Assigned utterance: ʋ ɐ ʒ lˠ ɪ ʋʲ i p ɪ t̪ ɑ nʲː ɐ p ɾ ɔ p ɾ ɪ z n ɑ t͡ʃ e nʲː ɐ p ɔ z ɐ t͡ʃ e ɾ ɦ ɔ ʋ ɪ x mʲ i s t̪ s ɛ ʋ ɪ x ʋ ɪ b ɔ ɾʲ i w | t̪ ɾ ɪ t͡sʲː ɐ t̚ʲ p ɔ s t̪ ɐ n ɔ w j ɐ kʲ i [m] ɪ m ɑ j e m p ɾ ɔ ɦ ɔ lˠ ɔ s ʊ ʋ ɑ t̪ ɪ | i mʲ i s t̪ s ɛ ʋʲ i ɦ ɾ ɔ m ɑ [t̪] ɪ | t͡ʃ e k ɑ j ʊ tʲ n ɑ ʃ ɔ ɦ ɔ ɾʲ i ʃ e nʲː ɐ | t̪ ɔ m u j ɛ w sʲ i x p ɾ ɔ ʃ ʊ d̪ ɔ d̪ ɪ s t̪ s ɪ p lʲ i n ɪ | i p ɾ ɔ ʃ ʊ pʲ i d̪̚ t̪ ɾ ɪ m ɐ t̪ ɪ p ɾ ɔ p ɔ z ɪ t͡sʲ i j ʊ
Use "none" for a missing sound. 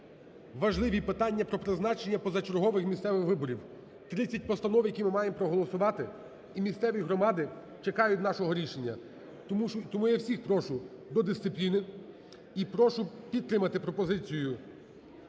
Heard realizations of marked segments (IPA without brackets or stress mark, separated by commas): m, d̪